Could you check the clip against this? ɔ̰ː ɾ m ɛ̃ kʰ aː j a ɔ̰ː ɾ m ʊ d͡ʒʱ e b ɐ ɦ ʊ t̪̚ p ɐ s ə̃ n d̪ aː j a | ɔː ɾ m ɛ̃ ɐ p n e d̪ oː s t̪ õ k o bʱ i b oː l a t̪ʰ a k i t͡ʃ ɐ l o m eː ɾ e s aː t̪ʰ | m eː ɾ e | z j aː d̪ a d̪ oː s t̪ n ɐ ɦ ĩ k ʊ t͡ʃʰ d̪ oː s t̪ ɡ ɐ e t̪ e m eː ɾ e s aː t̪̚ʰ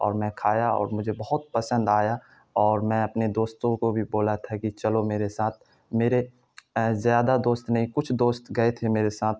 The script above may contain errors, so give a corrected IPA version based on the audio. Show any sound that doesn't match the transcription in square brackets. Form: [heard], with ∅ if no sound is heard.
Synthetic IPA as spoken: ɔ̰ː ɾ m ɛ̃ kʰ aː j a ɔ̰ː ɾ m ʊ d͡ʒʱ e b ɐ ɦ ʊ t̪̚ p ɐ s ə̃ n d̪ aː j a | ɔː ɾ m ɛ̃ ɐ p n e d̪ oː s t̪ õ k o bʱ i b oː l a t̪ʰ a k i t͡ʃ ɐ l o m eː ɾ e s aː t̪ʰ | m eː ɾ e | z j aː d̪ a d̪ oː s t̪ n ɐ ɦ ĩ k ʊ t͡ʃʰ d̪ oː s t̪ ɡ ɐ e [t̪ʰ] e m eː ɾ e s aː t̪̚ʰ